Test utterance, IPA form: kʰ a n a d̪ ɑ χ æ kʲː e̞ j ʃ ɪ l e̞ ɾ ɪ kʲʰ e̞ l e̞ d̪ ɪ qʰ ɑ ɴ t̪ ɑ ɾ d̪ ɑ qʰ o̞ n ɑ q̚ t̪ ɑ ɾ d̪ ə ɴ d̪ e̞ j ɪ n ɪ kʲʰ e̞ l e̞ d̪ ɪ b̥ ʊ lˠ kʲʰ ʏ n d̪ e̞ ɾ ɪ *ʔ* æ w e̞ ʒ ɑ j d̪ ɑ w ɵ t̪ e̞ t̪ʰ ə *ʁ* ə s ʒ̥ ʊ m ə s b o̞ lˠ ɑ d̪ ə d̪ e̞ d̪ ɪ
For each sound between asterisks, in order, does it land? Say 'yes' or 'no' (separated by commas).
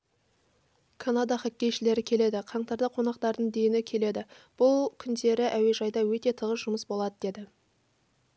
yes, yes